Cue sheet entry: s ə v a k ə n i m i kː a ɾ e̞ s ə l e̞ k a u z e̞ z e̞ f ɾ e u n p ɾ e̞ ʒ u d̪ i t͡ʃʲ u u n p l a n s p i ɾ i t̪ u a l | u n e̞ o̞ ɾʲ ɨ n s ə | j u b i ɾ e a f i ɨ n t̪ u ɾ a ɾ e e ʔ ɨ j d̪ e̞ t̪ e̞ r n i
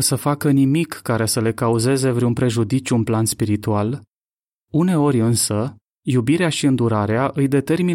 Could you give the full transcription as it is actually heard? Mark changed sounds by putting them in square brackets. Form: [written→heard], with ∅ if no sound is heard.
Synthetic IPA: s ə [v→f] a k ə n i m i kː a ɾ e̞ s ə l e̞ k a u z e̞ z e̞ [f→v] ɾ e u n p ɾ e̞ ʒ u d̪ i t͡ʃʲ u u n p l a n s p i ɾ i t̪ u a l | u n e̞ o̞ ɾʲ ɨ n s ə | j u b i ɾ e a [f→ʃ] i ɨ n [t̪→d̪] u ɾ a ɾ e [e→a] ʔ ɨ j d̪ e̞ t̪ e̞ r [n→m] i